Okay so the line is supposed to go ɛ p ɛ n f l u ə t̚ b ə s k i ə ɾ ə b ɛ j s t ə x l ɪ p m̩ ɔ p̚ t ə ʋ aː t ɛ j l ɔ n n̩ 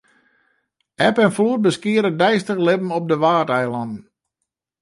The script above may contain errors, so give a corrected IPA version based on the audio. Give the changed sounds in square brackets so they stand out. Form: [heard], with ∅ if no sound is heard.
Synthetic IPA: ɛ p ɛ n f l u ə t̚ b ə s k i ə ɾ ə [d] ɛ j s t ə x l ɪ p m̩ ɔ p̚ [d] ə ʋ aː t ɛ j l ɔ n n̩